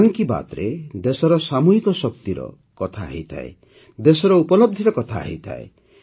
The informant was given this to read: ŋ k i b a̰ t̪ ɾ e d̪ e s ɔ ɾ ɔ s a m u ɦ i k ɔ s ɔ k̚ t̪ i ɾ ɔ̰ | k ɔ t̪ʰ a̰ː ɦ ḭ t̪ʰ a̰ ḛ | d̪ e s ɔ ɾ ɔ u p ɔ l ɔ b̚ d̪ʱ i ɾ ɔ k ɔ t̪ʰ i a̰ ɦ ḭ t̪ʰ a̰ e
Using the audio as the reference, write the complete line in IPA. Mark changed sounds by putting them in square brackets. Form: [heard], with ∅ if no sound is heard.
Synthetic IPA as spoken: ŋ k i b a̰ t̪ ɾ e d̪ e s ɔ ɾ ɔ s a m u ɦ i k ɔ s ɔ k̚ t̪ i ɾ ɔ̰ | k ɔ t̪ʰ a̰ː ɦ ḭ t̪ʰ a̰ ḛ | d̪ e s ɔ ɾ ɔ u p ɔ l ɔ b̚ d̪ʱ i ɾ ɔ k ɔ t̪ʰ [a] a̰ ɦ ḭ t̪ʰ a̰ e

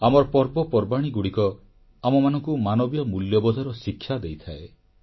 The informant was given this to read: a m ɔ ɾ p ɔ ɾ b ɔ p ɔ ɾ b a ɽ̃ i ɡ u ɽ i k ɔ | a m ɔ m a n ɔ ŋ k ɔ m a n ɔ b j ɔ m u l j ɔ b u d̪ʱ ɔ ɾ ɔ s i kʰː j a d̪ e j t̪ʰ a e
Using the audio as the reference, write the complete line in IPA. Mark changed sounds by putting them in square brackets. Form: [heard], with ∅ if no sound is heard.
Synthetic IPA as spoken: a m ɔ ɾ p ɔ ɾ b ɔ p ɔ ɾ b a ɽ̃ i ɡ u ɽ i k ɔ | a m ɔ m a n ɔ ŋ k [u] m a n ɔ b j ɔ m u l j ɔ b [ɔ] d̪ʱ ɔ ɾ ɔ s i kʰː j a d̪ e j t̪ʰ a e

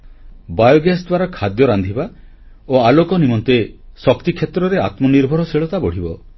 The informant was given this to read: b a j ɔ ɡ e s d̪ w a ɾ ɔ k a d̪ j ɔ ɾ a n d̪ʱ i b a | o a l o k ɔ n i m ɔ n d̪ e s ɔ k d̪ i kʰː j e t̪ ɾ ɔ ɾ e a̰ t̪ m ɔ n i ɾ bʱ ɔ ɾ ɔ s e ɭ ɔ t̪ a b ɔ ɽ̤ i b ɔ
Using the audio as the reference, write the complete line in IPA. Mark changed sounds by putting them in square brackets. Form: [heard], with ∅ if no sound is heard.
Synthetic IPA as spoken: b a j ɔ ɡ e s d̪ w a ɾ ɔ [kʰ] a d̪ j ɔ ɾ a n d̪ʱ i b a | o a l o k ɔ n i m ɔ n [t̪] e s ɔ k [t̪] i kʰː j e t̪ ɾ ɔ ɾ e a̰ t̪ m ɔ n i ɾ bʱ ɔ ɾ ɔ s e ɭ ɔ t̪ a b ɔ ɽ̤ i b ɔ

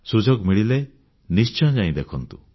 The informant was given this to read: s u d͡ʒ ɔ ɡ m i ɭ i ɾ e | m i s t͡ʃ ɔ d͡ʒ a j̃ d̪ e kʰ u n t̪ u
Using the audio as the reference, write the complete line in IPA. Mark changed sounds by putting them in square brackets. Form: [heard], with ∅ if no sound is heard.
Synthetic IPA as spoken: s u d͡ʒ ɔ ɡ m i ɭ i [l] e | [n] i s t͡ʃ ɔ d͡ʒ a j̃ d̪ e kʰ [ɔ] n t̪ u

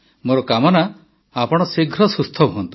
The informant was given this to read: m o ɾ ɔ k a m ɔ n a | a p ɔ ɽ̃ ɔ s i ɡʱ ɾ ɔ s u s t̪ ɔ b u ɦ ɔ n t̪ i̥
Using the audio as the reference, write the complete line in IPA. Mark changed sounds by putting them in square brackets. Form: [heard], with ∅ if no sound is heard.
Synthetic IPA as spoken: m o ɾ ɔ k a m ɔ n a | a p ɔ ɽ̃ ɔ s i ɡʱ ɾ ɔ s u s [t̪ʰ] ɔ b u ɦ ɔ n t̪ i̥

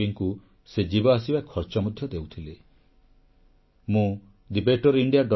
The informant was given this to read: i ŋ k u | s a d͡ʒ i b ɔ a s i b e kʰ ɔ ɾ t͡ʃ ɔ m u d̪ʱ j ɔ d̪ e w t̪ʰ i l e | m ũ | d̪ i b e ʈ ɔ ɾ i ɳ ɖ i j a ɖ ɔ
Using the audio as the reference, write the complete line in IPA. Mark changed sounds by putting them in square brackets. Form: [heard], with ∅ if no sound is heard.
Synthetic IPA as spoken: i ŋ k u | s [e] d͡ʒ i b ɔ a s i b [a] kʰ ɔ ɾ t͡ʃ ɔ m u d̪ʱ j ɔ d̪ e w t̪ʰ i l e | m ũ | d̪ i b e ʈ ɔ ɾ i ɳ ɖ i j a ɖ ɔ

